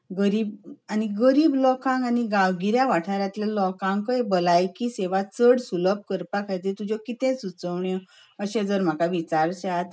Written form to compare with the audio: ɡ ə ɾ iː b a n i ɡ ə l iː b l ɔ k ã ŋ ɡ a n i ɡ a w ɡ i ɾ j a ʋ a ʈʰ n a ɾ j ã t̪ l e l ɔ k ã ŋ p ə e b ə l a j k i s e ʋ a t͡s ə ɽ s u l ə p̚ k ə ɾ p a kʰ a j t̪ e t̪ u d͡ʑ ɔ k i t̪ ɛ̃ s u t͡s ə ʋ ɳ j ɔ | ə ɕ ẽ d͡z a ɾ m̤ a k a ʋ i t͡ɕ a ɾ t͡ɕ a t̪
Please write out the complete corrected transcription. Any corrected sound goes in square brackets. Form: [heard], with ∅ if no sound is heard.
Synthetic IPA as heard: ɡ ə ɾ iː b a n i ɡ ə [ɾ] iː b l ɔ k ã ŋ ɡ a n i ɡ a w ɡ i ɾ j a ʋ a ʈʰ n a ɾ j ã t̪ l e l ɔ k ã ŋ [k] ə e b ə l a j k i s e ʋ a t͡s ə ɽ s u l ə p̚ k ə ɾ p a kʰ a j t̪ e t̪ u d͡ʑ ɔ k i t̪ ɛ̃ s u t͡s ə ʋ ɳ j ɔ | ə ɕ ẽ d͡z [ə] ɾ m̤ a k a ʋ i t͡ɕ a ɾ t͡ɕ a t̪